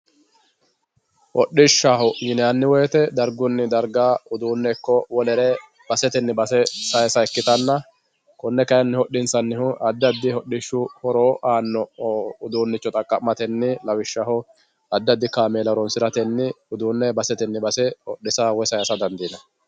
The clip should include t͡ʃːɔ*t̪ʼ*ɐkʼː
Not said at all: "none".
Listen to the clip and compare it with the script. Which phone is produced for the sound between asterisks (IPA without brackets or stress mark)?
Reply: t̪ʼ